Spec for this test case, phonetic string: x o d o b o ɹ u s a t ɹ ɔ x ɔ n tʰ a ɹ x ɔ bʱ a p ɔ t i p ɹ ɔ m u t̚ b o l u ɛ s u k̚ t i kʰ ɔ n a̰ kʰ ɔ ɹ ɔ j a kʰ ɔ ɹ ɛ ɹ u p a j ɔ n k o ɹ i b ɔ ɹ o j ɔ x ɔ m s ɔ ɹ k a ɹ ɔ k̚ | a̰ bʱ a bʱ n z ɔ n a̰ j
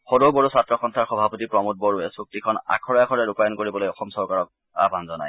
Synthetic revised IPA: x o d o b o ɹ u s a t ɹ ɔ x ɔ n tʰ a ɹ x ɔ bʱ a p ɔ t i p ɹ ɔ m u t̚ b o ɹ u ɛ s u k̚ t i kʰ ɔ n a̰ kʰ ɔ ɹ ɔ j a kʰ ɔ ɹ ɛ ɹ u p a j ɔ n k o ɹ i b ɔ l o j ɔ x ɔ m s ɔ ɹ k a ɹ ɔ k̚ | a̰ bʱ a n z ɔ n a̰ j